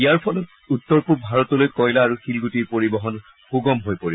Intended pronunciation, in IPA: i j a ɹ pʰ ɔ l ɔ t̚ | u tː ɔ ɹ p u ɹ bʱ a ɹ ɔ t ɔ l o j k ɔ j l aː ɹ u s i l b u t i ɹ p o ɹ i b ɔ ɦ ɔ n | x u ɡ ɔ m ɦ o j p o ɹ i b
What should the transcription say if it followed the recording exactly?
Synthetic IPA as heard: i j a ɹ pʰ ɔ l ɔ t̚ | u tː ɔ ɹ p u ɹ bʱ a ɹ ɔ t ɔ l o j k ɔ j l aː ɹ u x i l ɡ u t i ɹ p o ɹ i b ɔ ɦ ɔ n | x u ɡ ɔ m ɦ o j p o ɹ i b